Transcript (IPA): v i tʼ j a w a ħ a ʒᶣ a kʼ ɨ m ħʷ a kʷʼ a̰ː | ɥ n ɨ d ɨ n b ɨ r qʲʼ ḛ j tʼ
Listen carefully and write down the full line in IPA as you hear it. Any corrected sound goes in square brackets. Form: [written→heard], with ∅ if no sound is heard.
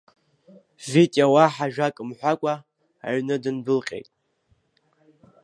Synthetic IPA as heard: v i tʼ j a w a ħ a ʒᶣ a kʼ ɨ m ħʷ a kʷʼ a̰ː | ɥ n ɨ d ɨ n b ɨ [r→l] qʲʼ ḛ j tʼ